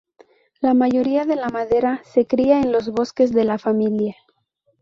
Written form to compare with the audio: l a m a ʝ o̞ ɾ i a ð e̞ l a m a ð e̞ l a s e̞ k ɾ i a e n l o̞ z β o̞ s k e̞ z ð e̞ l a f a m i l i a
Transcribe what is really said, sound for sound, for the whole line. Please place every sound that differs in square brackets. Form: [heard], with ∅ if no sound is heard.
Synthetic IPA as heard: l a m a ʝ o̞ ɾ i a ð e̞ l a m a ð e̞ [ɾ] a s e̞ k ɾ i a e n l o̞ z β o̞ s k e̞ z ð e̞ l a f a m i l [j] a